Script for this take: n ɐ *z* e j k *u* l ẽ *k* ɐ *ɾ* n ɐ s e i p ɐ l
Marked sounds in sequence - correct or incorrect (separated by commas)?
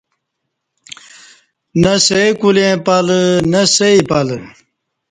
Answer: incorrect, correct, incorrect, incorrect